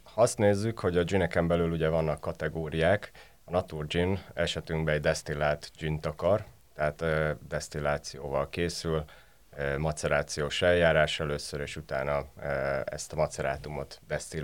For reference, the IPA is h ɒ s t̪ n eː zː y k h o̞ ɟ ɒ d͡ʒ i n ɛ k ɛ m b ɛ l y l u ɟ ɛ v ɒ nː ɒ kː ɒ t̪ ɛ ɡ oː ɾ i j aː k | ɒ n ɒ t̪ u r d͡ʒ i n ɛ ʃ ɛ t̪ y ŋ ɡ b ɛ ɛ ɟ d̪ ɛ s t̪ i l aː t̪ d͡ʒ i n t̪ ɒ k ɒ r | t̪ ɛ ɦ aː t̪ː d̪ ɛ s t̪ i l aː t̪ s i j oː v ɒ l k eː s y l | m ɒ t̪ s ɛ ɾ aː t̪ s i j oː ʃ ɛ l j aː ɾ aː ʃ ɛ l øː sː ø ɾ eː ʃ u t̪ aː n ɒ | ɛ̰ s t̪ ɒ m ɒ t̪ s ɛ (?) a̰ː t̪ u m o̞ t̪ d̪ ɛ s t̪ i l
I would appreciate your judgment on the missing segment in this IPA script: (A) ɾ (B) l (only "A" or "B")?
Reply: A